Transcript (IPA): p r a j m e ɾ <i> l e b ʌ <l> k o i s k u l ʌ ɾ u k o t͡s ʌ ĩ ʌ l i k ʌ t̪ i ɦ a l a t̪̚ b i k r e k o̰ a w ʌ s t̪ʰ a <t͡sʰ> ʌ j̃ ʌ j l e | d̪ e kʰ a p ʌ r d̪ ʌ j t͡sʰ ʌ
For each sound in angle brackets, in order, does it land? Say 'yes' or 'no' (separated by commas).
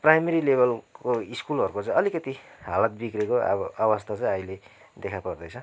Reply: yes, yes, no